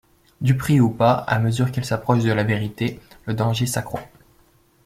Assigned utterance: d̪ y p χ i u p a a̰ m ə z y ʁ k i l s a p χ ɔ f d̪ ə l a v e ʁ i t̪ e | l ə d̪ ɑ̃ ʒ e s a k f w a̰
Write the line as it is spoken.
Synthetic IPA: d̪ y p χ i u p a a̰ m ə z y ʁ k i l s a p χ ɔ ʃ d̪ ə l a v e ʁ i t̪ e | l ə d̪ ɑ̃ ʒ e s a k χ w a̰